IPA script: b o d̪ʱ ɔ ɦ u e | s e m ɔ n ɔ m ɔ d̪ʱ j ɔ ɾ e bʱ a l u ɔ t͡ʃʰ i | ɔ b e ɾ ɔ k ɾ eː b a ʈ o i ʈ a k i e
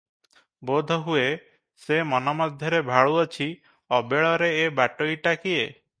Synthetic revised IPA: b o d̪ʱ ɔ ɦ u e | s e m ɔ n ɔ m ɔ d̪ʱ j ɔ ɾ e bʱ a ɭ u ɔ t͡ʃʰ i | ɔ b e ɭ ɔ ɾ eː b a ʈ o i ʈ a k i e